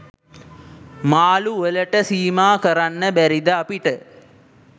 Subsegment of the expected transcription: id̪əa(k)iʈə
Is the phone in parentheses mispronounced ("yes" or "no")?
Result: yes